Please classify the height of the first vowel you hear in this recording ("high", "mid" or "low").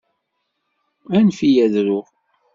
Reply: low